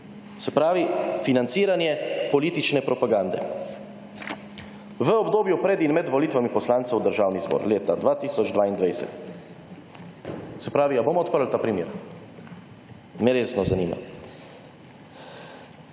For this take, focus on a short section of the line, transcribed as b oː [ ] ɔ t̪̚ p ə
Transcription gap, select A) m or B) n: A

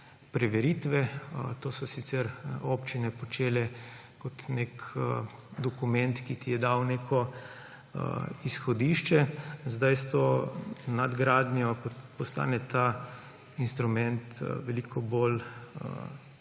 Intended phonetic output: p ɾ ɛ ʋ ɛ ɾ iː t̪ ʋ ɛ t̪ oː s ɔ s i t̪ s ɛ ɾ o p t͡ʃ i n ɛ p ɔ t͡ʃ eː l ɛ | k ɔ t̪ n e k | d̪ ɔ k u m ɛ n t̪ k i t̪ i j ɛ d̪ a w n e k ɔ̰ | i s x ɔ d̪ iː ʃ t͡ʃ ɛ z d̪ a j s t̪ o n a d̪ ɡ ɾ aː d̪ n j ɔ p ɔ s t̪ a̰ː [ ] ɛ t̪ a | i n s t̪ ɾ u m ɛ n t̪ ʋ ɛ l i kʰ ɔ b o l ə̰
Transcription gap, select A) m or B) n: B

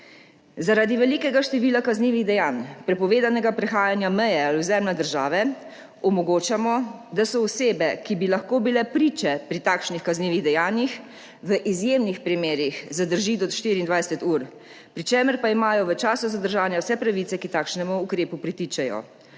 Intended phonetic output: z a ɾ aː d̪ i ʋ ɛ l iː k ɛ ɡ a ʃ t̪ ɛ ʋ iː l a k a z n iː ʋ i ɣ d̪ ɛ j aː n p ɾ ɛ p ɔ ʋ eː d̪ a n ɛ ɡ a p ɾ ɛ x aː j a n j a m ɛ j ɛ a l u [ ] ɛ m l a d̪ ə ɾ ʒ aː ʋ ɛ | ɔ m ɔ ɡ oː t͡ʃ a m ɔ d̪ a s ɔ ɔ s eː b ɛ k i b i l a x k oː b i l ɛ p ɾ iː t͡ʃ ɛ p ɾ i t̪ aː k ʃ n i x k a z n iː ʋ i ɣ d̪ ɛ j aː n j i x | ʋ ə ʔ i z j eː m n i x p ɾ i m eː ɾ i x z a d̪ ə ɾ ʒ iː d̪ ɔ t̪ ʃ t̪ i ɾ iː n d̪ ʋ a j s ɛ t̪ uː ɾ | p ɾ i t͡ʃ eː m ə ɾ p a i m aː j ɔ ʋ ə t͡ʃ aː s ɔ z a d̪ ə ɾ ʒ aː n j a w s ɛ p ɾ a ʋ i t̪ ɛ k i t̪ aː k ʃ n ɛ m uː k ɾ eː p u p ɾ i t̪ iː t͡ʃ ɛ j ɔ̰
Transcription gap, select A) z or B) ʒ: A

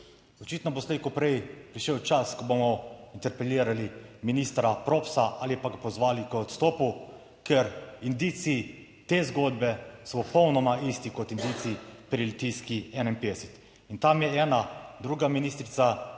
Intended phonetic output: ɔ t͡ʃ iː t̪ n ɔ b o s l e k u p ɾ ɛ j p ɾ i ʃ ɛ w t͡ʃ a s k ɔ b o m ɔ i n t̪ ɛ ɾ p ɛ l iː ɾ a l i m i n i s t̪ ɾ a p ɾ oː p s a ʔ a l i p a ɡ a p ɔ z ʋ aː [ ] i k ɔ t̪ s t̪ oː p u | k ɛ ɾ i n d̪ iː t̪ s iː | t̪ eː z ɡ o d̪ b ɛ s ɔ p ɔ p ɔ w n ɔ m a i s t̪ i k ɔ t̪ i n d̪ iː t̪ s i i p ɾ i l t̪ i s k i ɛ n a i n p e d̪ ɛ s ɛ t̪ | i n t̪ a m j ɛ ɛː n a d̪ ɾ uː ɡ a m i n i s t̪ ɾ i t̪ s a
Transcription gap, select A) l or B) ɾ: A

